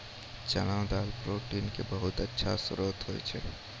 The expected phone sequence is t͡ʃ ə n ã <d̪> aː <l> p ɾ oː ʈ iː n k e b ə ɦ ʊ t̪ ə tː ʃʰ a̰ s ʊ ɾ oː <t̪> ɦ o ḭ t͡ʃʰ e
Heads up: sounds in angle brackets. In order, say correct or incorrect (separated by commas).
correct, correct, correct